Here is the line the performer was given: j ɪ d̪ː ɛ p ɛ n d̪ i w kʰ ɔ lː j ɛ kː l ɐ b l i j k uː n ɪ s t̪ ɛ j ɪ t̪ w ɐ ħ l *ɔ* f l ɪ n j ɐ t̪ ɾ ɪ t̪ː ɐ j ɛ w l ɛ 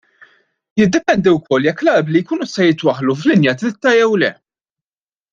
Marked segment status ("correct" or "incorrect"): incorrect